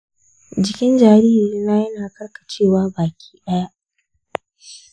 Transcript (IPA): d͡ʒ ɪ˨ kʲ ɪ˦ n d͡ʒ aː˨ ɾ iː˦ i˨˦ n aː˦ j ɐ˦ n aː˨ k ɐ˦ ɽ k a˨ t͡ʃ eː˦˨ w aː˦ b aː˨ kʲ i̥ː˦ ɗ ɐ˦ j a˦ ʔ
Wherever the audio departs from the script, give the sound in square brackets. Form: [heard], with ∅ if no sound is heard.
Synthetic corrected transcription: d͡ʒ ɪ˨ kʲ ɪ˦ n d͡ʒ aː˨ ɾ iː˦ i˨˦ n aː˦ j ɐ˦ n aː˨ k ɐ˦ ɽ k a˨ t͡ʃ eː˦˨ w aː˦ b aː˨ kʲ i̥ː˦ ɗ ɐ˦ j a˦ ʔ